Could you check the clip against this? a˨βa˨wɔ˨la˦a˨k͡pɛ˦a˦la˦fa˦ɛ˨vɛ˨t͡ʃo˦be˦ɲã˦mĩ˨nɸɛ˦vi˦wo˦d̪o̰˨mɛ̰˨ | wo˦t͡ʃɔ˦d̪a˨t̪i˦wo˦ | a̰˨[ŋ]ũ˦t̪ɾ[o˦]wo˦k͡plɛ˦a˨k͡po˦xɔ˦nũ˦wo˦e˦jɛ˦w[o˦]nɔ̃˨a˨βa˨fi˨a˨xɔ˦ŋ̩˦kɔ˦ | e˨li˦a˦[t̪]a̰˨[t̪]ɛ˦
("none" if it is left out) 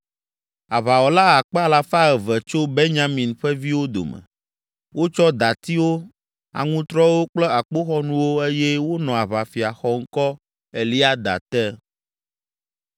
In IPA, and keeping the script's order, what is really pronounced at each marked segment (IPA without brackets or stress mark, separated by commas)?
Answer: ŋ, ɔ˦, o˦, d̪, t̪